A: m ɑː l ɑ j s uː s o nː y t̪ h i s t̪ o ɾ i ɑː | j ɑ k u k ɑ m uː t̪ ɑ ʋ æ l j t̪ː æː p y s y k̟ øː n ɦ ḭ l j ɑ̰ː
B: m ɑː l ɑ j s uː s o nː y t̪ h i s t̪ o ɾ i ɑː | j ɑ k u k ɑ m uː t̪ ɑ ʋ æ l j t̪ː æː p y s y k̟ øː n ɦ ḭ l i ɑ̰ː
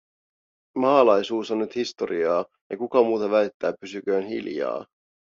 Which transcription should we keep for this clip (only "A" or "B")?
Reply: A